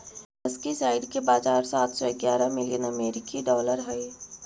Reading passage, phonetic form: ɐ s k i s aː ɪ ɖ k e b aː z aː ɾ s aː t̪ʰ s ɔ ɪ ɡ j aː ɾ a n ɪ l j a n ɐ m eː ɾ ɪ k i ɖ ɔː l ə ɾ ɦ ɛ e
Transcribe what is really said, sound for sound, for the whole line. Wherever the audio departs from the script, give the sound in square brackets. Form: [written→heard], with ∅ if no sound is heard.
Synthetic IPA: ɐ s k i s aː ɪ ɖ k e b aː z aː ɾ s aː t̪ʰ s ɔ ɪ ɡ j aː ɾ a [n→m] ɪ l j [a→ə] n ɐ m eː ɾ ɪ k i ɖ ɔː l ə ɾ ɦ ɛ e